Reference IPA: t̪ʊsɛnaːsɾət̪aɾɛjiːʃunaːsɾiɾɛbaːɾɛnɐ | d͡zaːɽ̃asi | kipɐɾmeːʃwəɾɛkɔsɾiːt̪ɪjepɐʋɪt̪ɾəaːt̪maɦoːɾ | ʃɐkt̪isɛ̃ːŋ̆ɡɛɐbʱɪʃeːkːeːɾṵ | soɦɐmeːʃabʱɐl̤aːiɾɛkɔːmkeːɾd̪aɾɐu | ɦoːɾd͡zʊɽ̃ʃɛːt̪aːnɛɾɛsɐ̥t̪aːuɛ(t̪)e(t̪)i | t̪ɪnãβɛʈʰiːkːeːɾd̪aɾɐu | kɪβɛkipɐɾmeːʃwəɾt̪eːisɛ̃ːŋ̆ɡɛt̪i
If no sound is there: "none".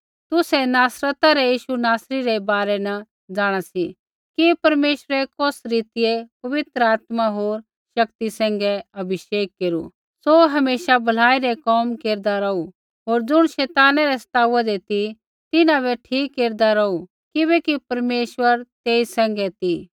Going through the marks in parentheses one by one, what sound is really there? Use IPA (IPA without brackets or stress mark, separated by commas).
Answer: d̪, t̪